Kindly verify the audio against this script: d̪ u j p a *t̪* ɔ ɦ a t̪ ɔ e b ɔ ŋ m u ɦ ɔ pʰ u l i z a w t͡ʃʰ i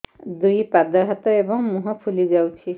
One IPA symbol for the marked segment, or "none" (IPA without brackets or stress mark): d̪